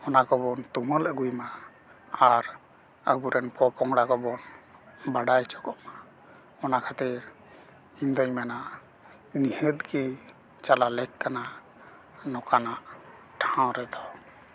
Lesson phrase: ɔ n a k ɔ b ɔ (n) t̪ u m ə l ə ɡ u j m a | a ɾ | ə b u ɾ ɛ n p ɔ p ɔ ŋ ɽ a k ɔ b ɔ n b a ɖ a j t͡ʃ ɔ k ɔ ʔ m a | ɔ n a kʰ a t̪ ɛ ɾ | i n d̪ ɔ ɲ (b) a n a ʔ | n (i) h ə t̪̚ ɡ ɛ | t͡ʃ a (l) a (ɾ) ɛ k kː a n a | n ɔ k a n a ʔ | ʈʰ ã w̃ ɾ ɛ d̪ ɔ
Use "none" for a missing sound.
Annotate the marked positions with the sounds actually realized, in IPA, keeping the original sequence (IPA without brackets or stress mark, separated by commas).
n, m, i, l, l